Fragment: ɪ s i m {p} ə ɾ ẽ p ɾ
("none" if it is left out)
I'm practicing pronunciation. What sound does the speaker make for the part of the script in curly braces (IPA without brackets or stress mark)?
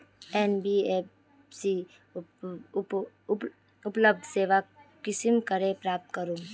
k